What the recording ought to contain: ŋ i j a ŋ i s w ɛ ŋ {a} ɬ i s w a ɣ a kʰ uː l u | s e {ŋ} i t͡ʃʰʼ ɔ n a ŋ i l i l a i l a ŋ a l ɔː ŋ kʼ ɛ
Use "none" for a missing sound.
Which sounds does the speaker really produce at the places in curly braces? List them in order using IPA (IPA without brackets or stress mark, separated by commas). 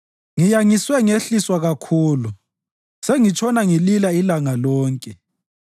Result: e, ŋ